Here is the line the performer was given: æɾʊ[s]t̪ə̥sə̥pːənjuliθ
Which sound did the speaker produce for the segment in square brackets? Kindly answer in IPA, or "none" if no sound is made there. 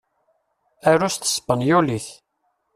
s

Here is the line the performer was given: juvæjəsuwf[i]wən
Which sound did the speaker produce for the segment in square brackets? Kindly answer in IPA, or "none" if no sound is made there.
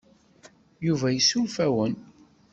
æ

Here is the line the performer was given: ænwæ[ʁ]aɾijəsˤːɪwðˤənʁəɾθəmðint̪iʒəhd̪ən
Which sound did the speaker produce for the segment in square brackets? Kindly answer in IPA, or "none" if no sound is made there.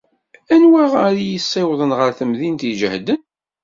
ʁ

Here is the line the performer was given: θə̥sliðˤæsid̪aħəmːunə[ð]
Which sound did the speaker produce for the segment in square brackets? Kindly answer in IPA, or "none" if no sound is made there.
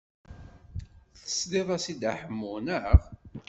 ʁ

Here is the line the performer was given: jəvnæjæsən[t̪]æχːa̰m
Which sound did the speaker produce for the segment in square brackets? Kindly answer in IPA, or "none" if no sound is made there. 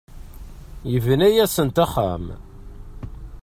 t̪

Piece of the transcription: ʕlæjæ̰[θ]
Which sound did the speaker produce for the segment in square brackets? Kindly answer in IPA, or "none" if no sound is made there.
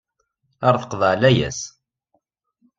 s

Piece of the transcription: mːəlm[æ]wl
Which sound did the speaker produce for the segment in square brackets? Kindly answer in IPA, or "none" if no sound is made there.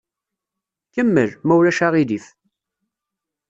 æ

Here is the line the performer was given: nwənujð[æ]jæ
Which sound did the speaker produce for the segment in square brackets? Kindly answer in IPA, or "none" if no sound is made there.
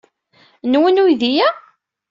i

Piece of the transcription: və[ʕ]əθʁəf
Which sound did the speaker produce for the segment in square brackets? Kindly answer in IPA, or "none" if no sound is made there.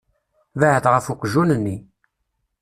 ʕ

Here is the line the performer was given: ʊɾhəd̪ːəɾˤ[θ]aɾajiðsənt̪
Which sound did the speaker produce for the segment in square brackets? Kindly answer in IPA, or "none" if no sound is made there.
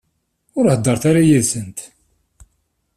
θ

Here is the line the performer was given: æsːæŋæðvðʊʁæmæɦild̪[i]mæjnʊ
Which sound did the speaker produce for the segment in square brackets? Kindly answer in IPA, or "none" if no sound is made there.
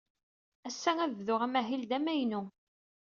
æ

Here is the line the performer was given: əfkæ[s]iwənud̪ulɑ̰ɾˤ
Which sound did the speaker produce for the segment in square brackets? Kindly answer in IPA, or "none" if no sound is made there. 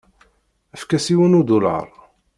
s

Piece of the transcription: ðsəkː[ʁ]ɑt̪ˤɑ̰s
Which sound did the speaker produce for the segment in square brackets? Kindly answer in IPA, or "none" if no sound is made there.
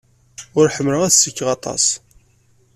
ʁ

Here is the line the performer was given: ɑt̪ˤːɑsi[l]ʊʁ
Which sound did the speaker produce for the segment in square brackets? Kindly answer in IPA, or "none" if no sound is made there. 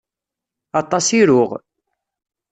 ɾ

